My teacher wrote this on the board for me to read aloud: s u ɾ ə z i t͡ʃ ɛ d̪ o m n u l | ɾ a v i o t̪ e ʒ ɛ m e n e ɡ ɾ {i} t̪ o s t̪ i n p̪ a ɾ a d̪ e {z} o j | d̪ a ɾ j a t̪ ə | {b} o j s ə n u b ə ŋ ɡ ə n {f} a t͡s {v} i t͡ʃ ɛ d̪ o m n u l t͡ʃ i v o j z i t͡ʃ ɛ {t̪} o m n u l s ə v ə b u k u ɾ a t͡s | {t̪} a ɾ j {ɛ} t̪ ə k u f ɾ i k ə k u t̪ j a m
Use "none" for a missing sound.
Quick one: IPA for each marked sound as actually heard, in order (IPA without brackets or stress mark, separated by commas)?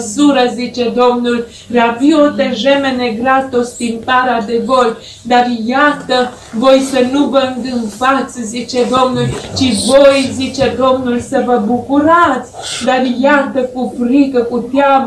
a, v, v, f, z, d̪, d̪, a